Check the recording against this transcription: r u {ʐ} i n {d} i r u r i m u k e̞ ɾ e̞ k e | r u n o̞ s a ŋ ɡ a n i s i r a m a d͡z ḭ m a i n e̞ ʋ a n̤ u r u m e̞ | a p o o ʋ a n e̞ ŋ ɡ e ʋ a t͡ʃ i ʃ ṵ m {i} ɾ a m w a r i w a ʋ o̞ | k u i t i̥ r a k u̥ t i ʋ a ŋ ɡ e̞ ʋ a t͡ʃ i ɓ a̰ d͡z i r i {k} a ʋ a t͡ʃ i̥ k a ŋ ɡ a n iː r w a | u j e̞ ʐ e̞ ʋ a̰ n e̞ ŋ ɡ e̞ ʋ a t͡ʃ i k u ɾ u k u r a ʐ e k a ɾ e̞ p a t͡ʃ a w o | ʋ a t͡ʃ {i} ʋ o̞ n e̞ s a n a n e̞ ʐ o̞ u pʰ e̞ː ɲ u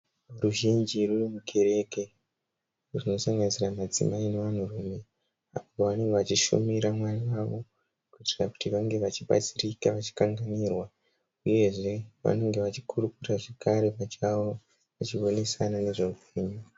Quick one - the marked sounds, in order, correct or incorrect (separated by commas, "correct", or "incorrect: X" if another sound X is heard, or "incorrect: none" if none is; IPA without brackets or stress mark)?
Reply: incorrect: ʒ, incorrect: d͡ʒ, correct, correct, correct